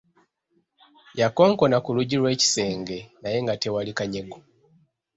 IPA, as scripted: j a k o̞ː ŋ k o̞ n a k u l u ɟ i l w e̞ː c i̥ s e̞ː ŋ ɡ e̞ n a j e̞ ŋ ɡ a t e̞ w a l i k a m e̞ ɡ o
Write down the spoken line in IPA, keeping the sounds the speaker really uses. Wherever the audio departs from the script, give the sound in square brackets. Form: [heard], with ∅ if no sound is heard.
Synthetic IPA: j a k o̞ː ŋ k o̞ n a k u l u ɟ i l w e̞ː c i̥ s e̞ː ŋ ɡ e̞ n a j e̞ ŋ ɡ a t e̞ w a l i k a [ɲ] e̞ ɡ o